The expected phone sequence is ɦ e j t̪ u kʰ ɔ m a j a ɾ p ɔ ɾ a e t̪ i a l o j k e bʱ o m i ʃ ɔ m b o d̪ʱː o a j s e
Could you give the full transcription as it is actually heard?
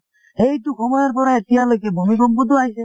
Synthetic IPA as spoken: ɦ e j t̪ u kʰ ɔ m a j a ɾ p ɔ ɾ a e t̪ i a l o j k e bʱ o m i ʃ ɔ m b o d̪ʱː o a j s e